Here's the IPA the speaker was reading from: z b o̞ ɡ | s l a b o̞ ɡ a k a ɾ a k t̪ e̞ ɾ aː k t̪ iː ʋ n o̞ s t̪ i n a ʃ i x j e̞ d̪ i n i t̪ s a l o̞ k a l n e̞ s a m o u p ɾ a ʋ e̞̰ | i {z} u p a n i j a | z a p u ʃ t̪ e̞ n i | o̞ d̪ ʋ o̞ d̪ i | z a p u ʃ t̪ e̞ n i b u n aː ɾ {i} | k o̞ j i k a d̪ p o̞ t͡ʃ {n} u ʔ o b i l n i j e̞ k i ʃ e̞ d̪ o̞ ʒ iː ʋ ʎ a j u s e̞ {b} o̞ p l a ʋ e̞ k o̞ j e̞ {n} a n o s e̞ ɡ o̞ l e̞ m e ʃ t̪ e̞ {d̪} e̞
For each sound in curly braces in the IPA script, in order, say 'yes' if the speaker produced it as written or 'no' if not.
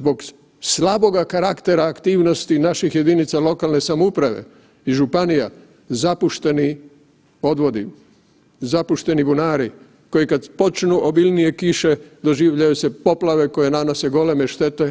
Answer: no, yes, yes, no, yes, no

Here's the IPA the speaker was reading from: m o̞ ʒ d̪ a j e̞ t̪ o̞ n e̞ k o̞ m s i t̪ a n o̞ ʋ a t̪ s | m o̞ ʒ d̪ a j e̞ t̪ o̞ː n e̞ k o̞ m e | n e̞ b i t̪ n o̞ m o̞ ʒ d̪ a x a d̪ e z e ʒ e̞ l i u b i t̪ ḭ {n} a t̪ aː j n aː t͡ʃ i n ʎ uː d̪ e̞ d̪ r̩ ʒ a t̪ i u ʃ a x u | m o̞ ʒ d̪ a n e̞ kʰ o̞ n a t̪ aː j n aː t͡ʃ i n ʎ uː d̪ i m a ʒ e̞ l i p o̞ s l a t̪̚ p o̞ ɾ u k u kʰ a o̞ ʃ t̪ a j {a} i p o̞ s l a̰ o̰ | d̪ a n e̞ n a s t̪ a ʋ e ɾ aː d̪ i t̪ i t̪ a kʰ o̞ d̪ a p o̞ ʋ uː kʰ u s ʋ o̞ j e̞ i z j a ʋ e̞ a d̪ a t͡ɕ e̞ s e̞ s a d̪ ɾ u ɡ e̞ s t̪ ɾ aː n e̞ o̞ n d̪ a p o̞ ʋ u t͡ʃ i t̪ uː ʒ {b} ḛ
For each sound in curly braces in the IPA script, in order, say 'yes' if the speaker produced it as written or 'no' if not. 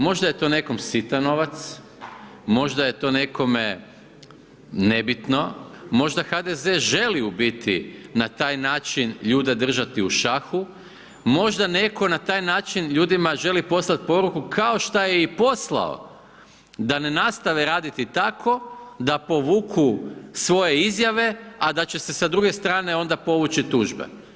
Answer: yes, no, yes

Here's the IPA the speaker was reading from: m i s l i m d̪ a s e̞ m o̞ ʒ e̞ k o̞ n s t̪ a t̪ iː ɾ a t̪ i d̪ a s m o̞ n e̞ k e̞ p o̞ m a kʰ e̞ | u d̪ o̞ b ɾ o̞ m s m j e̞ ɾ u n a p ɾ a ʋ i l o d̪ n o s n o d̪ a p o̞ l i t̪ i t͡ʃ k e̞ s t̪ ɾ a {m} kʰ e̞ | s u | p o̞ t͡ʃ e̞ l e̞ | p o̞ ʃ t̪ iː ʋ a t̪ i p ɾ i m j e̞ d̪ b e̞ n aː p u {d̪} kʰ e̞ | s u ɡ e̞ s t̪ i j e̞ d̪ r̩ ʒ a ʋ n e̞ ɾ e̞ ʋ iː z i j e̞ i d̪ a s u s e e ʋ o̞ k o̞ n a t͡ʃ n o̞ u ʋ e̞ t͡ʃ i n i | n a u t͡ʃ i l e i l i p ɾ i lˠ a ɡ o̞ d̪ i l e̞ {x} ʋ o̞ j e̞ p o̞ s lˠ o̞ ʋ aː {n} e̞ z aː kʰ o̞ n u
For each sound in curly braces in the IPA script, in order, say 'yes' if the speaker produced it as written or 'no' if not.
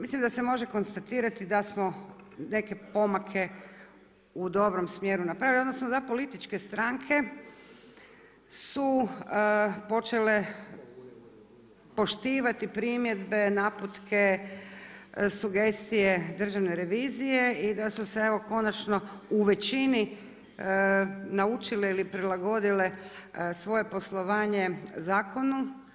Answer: no, no, no, no

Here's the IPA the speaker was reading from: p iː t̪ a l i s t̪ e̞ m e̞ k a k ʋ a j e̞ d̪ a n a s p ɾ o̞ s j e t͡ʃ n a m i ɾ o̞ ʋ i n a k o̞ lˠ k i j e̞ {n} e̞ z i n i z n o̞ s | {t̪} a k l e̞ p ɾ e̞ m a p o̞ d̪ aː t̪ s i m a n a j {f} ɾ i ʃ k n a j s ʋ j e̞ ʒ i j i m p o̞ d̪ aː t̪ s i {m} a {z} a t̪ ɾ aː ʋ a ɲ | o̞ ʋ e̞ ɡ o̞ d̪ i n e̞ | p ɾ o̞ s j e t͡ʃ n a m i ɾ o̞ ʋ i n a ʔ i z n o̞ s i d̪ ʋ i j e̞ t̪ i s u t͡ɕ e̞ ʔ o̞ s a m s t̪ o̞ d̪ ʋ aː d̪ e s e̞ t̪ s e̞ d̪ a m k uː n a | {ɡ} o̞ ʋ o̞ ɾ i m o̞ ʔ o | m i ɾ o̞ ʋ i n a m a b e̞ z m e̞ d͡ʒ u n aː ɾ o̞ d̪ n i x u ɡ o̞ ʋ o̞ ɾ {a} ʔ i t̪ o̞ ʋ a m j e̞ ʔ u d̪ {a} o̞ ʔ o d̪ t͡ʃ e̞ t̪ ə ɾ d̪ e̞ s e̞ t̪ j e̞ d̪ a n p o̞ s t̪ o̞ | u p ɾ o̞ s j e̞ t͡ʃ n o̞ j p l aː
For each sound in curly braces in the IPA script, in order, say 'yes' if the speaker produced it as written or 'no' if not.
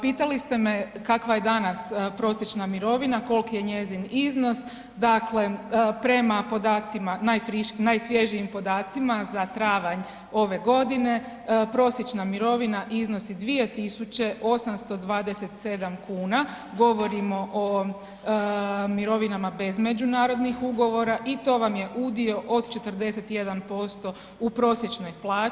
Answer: no, no, yes, yes, yes, yes, yes, no

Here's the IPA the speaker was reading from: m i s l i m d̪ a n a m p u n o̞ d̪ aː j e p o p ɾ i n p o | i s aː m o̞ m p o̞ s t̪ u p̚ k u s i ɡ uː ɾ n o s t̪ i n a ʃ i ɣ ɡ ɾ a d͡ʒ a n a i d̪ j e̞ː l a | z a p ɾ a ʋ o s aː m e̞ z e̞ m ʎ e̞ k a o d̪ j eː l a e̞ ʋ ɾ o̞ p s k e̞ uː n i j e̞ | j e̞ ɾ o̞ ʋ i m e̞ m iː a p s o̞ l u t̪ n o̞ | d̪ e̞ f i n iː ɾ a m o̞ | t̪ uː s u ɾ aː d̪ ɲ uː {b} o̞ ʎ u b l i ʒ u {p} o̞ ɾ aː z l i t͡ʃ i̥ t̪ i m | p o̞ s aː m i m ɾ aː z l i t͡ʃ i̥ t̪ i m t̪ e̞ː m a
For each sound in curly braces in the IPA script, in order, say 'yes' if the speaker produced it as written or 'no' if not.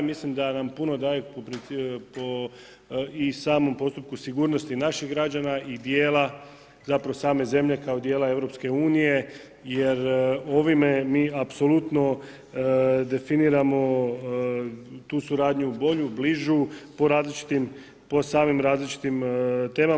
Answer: yes, yes

